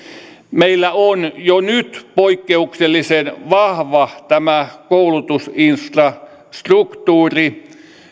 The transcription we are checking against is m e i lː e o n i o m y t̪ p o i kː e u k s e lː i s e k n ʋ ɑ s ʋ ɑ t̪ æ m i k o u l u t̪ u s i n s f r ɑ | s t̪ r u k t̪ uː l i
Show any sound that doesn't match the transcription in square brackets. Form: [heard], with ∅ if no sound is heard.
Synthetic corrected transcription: m e i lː [æ] o n [j] o [n] y t̪ p o i kː e u k s e lː i s e [∅] n ʋ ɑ [h] ʋ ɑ t̪ æ m [æ] k o u l u t̪ u s i n s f r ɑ | s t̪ r u k t̪ uː [r] i